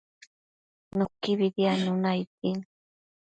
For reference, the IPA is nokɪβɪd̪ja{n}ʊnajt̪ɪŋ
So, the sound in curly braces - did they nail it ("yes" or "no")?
yes